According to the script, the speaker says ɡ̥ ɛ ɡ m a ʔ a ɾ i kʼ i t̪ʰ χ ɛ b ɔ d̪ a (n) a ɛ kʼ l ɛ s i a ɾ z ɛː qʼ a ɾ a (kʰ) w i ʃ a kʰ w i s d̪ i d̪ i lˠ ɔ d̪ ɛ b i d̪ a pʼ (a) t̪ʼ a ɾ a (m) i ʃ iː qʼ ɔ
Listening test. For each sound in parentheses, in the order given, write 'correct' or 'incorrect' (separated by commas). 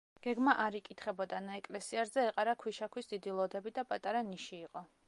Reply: correct, correct, correct, incorrect